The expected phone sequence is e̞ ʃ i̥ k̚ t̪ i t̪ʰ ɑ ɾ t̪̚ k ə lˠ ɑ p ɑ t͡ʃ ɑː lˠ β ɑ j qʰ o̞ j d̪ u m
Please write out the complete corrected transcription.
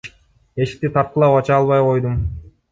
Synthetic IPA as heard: e̞ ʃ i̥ k̚ t̪ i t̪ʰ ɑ ɾ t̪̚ q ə lˠ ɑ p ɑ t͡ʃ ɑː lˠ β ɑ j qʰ o̞ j d̪ u m